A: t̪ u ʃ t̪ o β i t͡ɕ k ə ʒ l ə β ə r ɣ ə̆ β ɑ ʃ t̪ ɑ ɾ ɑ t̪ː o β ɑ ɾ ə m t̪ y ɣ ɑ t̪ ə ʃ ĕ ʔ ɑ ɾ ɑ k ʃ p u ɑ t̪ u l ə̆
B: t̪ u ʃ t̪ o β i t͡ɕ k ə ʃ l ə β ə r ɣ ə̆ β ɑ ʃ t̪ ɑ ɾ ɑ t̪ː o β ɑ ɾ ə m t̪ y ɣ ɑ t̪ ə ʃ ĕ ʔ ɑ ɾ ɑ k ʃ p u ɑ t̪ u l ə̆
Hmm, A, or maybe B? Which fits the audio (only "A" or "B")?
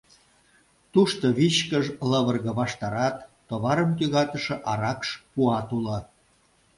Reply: A